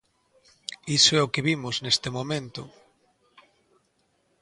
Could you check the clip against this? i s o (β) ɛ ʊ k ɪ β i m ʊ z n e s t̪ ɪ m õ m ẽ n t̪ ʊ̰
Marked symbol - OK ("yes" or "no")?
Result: no